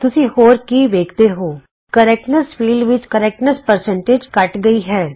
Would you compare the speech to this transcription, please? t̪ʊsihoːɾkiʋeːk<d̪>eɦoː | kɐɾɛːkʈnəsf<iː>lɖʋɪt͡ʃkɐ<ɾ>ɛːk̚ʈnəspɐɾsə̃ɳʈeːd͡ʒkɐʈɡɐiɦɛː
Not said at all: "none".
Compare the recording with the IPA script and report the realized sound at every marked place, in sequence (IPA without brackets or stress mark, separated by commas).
t̪, iː, ɾ